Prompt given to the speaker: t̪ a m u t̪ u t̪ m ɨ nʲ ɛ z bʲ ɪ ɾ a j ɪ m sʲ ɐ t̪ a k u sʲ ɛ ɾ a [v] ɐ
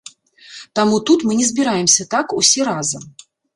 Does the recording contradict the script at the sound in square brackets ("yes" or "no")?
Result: yes